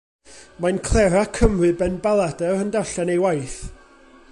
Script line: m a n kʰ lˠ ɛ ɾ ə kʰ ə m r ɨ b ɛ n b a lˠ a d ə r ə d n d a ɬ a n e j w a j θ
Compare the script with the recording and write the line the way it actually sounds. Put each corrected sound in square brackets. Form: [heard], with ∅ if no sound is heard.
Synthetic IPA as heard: m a n kʰ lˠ ɛ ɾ [a] kʰ ə m r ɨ b ɛ n b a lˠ a d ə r ə [∅] n d a ɬ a n e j w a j θ